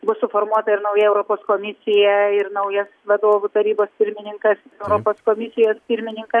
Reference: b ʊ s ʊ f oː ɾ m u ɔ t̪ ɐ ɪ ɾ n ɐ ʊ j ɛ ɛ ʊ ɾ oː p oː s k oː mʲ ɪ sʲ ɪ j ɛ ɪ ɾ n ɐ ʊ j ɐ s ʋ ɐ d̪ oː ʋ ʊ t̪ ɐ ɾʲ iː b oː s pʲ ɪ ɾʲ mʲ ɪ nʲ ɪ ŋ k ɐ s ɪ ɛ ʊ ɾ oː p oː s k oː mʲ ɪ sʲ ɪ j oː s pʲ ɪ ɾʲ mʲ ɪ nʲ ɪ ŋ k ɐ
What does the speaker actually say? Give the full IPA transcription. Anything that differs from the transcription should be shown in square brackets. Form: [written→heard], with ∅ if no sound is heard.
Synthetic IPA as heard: b ʊ s ʊ f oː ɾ m u ɔ t̪ ɐ ɪ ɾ n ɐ ʊ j ɛ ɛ ʊ ɾ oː p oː s k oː mʲ ɪ sʲ ɪ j ɛ ɪ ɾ n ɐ ʊ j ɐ s ʋ ɐ d̪ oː ʋ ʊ t̪ ɐ ɾʲ iː b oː s pʲ ɪ ɾʲ mʲ ɪ nʲ ɪ ŋ k ɐ s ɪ ɛ ʊ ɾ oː p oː s k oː mʲ ɪ sʲ ɪ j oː s pʲ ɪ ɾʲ mʲ ɪ nʲ ɪ ŋ k ɐ

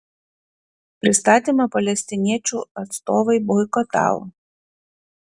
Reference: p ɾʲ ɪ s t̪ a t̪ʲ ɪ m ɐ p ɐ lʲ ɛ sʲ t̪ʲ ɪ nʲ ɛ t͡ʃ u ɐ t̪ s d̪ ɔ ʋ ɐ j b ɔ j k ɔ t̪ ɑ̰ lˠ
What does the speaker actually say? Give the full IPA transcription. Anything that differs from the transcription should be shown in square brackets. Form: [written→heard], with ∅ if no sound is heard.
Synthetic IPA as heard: p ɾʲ ɪ s t̪ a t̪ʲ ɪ m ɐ p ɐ lʲ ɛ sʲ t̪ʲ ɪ nʲ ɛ t͡ʃ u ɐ t̪ s [d̪→t̪] ɔ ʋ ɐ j b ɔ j k ɔ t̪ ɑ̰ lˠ

